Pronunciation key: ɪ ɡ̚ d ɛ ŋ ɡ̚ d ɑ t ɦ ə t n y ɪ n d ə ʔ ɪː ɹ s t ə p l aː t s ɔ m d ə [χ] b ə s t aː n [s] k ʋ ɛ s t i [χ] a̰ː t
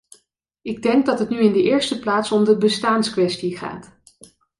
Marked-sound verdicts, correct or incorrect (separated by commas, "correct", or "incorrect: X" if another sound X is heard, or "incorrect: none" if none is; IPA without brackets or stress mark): incorrect: none, correct, correct